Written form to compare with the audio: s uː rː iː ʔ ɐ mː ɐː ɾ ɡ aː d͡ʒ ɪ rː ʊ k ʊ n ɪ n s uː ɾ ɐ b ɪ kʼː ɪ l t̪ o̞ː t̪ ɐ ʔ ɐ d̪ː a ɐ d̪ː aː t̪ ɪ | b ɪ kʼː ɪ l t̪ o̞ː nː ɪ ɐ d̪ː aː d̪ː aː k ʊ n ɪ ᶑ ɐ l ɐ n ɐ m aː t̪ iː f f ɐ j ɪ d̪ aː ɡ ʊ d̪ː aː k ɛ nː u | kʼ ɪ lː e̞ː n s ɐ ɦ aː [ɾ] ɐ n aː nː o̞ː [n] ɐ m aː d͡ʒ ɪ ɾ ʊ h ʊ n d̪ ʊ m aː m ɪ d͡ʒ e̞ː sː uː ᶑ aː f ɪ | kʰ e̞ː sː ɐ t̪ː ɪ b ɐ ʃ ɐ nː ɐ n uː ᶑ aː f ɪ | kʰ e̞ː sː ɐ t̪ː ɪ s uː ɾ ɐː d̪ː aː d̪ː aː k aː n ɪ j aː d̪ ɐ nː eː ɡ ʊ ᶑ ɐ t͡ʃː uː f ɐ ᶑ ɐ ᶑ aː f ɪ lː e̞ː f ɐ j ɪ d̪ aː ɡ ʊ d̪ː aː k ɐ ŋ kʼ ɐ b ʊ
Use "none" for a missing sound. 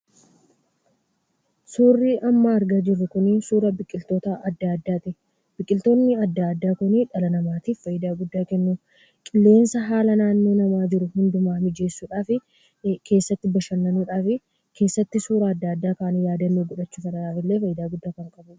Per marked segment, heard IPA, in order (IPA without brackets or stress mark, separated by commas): l, n